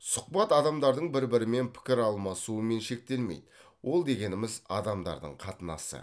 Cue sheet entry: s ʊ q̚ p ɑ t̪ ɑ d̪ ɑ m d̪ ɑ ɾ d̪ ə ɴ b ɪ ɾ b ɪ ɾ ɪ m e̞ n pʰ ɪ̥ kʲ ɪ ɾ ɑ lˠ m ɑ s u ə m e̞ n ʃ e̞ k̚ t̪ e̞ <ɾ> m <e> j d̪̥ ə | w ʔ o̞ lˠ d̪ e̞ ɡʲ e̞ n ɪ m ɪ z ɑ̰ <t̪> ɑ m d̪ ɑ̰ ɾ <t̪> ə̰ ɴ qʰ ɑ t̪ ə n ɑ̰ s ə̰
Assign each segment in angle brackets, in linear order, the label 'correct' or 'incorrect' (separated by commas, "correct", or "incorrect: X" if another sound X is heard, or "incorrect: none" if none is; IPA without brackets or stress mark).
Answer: incorrect: l, correct, incorrect: d̪, incorrect: d̪